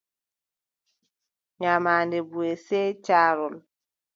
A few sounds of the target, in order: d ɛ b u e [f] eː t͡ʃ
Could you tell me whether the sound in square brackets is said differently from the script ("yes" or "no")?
yes